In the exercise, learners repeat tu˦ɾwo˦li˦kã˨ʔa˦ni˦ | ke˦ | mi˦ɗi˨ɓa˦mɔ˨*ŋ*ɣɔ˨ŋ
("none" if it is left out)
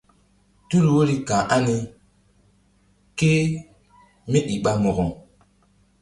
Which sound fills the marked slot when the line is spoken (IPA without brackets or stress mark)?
none